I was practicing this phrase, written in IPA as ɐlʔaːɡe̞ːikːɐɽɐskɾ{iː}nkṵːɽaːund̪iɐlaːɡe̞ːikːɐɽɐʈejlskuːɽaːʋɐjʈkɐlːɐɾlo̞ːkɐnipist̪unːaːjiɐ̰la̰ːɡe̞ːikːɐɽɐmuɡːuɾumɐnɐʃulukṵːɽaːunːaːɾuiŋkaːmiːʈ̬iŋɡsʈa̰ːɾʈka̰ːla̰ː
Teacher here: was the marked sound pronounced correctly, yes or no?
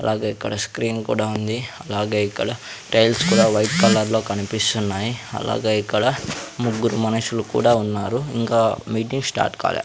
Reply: yes